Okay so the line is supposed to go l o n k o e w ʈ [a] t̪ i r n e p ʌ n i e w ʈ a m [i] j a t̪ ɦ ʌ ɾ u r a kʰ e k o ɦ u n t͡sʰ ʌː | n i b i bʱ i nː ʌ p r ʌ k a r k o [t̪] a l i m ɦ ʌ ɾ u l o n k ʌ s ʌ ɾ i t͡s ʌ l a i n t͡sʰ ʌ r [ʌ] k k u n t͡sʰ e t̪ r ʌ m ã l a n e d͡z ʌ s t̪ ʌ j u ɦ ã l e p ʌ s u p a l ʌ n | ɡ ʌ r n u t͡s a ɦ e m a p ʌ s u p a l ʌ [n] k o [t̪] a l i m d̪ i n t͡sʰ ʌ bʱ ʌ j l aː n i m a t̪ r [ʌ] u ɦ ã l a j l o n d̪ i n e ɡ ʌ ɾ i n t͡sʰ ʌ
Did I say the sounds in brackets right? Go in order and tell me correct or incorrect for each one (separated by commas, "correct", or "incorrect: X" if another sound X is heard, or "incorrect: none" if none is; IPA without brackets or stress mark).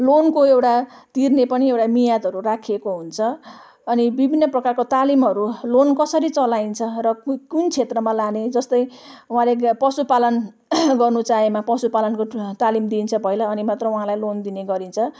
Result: correct, correct, correct, correct, correct, correct, correct